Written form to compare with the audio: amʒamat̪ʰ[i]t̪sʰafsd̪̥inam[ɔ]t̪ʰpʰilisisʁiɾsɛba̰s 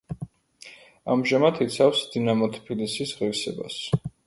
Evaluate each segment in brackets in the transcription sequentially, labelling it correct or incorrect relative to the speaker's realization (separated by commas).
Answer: correct, correct